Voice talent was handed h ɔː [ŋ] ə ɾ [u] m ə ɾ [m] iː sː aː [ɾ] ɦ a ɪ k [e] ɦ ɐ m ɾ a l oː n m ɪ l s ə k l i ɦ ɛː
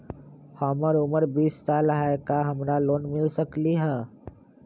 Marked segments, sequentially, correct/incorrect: incorrect: m, incorrect: ʊ, incorrect: b, incorrect: l, incorrect: a

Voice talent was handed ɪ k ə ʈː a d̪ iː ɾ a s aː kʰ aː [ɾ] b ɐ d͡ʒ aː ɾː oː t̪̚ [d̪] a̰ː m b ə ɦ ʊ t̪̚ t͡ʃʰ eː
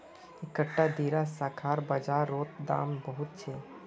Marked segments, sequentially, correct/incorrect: correct, correct

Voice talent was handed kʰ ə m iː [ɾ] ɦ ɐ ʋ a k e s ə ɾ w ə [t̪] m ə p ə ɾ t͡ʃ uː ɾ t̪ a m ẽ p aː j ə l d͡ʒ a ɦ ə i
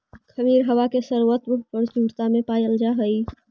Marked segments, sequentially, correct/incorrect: correct, correct

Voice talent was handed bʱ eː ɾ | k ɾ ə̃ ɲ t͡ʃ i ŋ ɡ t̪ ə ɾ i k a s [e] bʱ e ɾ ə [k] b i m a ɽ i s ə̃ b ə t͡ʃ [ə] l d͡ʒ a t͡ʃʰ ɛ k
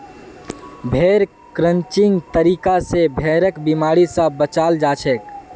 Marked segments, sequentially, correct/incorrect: correct, correct, incorrect: a

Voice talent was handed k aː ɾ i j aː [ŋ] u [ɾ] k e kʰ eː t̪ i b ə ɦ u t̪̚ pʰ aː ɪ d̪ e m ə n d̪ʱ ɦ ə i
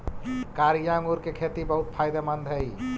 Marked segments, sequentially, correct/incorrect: correct, correct

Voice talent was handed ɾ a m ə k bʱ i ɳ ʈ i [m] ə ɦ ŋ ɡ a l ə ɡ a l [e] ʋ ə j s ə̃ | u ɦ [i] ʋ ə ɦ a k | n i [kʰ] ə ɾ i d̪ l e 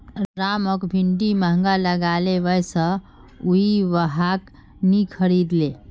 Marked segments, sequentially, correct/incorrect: correct, correct, correct, correct

